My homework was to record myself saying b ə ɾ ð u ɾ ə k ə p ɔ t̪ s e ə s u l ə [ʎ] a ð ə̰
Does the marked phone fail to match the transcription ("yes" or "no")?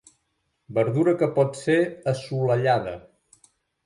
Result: no